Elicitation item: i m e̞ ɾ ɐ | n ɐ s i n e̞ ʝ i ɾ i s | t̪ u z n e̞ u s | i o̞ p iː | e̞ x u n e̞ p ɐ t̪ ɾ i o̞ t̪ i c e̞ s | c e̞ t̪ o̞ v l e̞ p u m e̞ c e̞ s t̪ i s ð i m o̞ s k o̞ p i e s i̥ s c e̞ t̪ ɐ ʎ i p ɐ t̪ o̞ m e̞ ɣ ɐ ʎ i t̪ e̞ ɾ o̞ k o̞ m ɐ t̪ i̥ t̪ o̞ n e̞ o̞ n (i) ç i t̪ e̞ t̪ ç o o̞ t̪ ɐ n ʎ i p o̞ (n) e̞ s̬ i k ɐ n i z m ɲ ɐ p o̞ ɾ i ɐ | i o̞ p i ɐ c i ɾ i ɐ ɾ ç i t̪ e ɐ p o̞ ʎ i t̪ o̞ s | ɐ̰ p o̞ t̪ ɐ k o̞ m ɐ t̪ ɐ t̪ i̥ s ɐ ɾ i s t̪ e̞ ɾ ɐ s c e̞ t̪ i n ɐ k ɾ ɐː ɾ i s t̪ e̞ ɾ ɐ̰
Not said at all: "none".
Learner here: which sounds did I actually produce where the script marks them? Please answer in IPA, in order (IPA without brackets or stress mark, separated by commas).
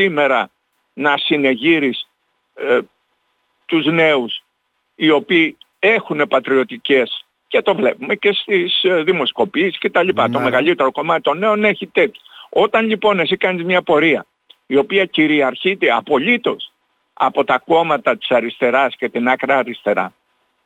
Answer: e, n